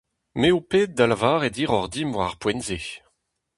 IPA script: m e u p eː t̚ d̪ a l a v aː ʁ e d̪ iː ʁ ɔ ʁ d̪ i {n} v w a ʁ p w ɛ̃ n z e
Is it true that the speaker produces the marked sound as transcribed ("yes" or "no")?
no